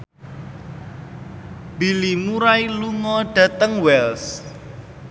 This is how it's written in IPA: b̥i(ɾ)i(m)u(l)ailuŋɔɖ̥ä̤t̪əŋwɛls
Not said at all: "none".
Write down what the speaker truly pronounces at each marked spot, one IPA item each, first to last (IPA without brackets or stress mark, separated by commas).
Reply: l, m, ɾ